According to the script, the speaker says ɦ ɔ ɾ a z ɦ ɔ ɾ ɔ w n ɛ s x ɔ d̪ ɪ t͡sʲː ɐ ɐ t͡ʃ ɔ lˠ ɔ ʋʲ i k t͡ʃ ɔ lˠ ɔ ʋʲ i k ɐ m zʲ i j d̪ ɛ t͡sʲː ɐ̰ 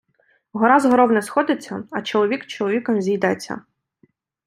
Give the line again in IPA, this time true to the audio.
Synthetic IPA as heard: ɦ ɔ ɾ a z ɦ ɔ ɾ ɔ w n ɛ s x ɔ d̪ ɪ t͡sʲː ɐ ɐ t͡ʃ ɔ lˠ ɔ ʋʲ i k t͡ʃ ɔ lˠ ɔ ʋʲ i k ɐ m zʲ i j d̪ ɛ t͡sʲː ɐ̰